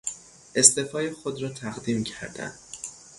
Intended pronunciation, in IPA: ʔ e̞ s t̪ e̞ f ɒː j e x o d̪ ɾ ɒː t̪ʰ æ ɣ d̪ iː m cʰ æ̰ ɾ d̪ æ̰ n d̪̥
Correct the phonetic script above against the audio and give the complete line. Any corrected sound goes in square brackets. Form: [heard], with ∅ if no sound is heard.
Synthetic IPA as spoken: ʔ e̞ s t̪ e̞ f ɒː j e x o d̪ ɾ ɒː t̪ʰ æ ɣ d̪ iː m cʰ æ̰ ɾ d̪ æ̰ n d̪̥